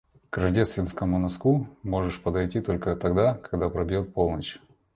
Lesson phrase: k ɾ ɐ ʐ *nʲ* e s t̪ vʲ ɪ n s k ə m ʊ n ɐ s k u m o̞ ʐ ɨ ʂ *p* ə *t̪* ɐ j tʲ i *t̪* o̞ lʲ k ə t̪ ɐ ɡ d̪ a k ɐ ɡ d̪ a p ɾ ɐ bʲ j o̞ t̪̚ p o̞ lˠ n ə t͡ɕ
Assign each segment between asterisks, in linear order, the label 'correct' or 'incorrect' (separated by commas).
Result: incorrect, correct, incorrect, correct